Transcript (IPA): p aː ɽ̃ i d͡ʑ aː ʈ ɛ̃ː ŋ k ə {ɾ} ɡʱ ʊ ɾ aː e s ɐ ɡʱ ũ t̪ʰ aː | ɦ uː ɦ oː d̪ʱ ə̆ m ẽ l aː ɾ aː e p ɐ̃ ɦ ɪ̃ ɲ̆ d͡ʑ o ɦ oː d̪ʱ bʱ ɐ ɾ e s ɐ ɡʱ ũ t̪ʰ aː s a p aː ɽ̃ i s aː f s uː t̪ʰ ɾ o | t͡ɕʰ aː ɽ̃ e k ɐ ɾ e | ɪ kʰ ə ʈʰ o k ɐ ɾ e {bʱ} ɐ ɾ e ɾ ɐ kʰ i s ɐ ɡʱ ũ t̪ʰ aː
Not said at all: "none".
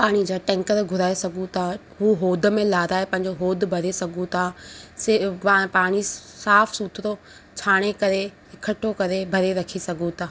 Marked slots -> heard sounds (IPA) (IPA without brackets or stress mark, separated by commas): ɾ, bʱ